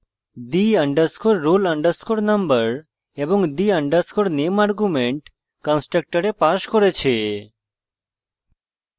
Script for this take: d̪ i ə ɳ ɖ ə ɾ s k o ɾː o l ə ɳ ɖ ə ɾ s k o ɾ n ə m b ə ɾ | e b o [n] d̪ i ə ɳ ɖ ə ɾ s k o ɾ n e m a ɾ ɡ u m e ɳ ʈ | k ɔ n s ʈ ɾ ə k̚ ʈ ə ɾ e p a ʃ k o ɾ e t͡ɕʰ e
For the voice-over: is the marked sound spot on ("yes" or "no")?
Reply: no